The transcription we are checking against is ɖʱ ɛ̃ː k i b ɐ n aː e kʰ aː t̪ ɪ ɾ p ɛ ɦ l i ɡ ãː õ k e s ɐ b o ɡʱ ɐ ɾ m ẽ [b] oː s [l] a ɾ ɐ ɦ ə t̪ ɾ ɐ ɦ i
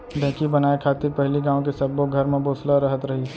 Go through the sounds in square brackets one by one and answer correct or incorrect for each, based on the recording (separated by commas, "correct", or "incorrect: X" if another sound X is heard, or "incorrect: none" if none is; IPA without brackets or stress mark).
correct, correct